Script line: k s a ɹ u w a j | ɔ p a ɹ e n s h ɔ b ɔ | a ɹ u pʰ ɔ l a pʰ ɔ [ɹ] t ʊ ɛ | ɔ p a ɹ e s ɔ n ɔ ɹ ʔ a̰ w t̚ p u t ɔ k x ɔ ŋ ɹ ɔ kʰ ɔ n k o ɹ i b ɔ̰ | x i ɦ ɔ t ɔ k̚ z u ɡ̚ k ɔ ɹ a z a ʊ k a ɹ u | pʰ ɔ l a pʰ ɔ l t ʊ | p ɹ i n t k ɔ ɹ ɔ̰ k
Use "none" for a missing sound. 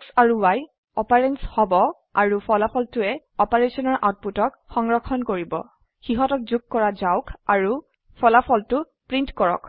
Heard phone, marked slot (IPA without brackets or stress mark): l